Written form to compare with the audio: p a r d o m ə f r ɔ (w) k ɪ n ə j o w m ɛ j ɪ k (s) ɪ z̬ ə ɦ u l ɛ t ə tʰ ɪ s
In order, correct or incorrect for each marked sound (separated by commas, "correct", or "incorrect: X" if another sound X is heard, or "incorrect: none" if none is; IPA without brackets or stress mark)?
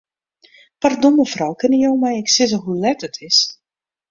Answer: correct, correct